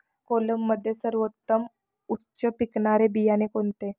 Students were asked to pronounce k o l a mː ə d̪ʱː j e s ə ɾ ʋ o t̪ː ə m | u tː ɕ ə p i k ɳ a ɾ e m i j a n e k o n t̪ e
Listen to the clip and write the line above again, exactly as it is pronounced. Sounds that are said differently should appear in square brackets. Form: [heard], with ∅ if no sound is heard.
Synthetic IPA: k o l [ə] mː ə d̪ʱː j e s ə ɾ ʋ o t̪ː ə m | u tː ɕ ə p i k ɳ a ɾ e [b] i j a n e k o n t̪ e